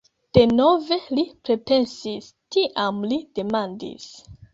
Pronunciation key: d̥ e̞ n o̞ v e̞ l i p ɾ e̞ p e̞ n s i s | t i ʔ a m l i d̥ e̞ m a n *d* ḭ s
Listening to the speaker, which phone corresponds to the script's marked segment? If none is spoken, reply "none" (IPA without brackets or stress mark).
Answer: d